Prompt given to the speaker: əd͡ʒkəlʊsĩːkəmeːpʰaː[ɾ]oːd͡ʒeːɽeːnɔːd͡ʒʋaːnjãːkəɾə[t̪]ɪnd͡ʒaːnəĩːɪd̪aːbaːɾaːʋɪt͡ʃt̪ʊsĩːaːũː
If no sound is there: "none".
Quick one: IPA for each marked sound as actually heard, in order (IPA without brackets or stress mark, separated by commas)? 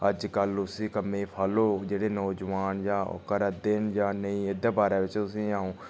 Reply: l, d̪